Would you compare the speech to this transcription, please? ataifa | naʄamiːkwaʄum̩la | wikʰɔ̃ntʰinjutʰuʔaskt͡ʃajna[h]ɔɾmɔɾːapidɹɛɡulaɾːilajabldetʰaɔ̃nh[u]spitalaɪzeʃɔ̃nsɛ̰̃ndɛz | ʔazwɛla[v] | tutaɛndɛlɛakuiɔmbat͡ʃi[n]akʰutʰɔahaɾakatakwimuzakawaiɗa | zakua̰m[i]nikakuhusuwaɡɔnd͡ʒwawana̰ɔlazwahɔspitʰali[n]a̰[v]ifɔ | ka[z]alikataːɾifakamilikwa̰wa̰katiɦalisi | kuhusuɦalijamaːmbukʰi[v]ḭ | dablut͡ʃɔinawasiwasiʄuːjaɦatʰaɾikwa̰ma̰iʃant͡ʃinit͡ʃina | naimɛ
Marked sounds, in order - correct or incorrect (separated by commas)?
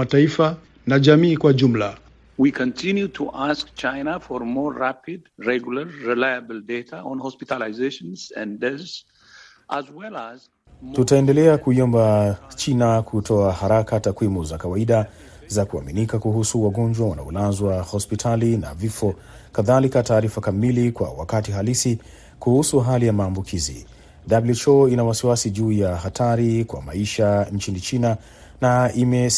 incorrect, incorrect, incorrect, correct, correct, correct, correct, incorrect, incorrect